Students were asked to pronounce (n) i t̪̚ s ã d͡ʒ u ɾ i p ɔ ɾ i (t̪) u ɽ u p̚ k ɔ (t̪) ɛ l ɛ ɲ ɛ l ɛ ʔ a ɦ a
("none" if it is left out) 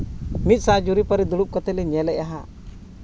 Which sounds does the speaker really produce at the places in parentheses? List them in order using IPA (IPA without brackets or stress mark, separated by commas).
m, d̪, t̪